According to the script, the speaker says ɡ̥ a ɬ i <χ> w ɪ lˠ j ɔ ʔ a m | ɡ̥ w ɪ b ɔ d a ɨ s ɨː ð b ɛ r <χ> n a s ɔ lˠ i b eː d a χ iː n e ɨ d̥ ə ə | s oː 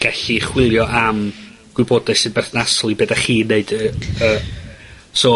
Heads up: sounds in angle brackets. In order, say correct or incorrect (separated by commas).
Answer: correct, incorrect